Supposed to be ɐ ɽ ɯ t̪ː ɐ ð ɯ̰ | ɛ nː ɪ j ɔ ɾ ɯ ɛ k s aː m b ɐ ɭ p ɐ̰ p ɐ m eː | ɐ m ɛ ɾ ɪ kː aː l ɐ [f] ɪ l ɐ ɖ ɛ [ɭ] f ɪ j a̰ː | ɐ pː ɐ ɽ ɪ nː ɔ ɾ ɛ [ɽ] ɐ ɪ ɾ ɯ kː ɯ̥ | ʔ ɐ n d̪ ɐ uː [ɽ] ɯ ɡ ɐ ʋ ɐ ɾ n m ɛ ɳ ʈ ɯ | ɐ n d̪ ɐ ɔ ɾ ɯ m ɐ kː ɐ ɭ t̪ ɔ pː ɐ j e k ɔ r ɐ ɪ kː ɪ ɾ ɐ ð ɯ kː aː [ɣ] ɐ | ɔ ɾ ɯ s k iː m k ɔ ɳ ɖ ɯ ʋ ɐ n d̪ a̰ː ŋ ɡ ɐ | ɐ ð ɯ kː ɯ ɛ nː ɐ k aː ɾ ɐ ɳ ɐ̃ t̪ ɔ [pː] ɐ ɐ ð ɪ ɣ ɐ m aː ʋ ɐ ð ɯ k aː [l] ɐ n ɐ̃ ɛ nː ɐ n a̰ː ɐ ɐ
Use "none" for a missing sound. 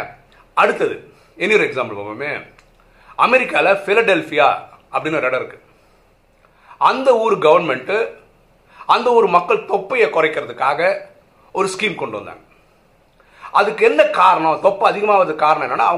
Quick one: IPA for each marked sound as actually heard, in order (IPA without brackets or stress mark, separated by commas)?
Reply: f, l, ɽ, ɾ, ɣ, pː, ɾ